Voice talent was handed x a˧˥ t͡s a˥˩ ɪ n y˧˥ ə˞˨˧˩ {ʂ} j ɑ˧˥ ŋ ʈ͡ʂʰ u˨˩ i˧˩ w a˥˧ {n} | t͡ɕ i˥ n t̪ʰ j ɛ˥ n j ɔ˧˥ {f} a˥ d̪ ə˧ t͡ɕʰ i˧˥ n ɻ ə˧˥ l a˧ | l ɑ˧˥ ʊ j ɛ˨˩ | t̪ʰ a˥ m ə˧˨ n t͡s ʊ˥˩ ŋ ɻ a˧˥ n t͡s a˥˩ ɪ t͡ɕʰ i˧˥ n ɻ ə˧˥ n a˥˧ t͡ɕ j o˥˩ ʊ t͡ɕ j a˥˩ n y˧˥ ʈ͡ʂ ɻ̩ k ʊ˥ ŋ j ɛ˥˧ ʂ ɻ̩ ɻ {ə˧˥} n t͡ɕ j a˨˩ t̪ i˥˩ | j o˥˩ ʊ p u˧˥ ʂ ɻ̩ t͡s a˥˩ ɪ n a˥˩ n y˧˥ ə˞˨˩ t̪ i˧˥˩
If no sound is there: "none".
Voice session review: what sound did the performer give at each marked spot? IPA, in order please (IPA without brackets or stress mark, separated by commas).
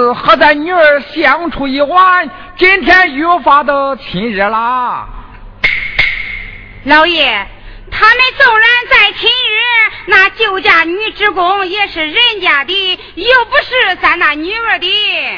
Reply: ɕ, n, f, ə˥˩